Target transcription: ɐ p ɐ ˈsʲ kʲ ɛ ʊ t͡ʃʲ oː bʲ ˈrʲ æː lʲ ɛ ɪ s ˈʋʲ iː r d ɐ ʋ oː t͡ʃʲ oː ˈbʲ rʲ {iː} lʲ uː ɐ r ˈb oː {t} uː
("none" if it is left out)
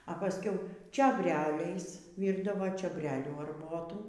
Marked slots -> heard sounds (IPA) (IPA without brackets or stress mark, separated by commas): æː, t